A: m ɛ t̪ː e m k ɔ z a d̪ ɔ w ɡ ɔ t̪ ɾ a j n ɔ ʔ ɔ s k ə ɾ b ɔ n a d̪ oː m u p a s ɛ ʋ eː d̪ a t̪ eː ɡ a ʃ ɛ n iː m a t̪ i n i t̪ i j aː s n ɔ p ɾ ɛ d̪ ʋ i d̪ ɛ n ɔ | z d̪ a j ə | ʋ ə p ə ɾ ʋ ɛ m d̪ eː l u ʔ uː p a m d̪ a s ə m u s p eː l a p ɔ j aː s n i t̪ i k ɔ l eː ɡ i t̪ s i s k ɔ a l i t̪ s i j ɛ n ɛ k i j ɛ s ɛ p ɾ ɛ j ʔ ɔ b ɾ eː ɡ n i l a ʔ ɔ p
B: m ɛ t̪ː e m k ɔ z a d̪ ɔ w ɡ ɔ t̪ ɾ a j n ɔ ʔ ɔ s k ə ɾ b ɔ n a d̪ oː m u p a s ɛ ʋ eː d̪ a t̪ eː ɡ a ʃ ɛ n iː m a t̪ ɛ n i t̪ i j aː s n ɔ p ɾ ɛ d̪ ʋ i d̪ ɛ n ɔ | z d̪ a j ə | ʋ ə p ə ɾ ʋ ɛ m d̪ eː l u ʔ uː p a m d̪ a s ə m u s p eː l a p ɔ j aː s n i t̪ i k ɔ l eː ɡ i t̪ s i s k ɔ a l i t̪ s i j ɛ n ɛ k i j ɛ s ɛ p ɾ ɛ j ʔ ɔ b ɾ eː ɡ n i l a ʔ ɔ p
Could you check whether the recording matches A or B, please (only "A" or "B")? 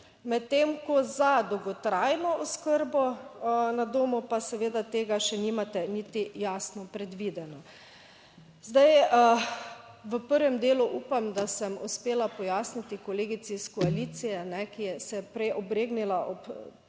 B